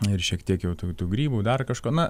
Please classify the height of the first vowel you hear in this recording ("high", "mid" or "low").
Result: high